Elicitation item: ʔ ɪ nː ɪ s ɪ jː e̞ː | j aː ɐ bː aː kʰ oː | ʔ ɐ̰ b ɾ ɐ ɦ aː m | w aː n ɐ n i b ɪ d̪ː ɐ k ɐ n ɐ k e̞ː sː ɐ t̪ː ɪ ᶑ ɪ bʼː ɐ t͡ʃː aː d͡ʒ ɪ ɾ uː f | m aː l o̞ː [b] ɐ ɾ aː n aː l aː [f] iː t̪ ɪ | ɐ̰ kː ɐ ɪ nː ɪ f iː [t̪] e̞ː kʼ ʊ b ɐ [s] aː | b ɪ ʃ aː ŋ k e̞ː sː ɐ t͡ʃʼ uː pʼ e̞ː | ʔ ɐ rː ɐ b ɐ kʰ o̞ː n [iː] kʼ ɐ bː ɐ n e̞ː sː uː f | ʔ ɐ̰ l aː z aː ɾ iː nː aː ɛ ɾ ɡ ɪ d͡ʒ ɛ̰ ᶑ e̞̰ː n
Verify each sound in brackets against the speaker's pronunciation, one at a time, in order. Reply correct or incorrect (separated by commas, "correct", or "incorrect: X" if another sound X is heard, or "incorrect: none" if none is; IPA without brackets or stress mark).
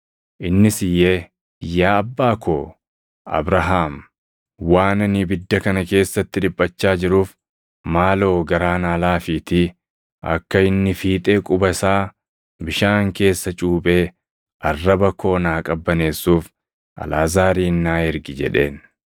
incorrect: ɡ, correct, incorrect: t̪ʼ, correct, incorrect: aː